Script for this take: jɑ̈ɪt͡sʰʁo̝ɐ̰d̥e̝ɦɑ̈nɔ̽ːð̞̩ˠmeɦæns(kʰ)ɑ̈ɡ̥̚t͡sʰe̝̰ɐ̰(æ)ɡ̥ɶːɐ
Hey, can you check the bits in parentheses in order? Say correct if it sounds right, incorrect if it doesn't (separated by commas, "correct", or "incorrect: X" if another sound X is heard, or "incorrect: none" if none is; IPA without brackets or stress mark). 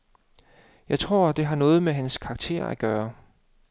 correct, correct